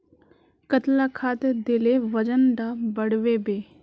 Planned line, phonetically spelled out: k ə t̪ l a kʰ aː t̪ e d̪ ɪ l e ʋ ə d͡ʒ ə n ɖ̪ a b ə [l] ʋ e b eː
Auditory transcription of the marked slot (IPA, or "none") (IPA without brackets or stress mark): ɽ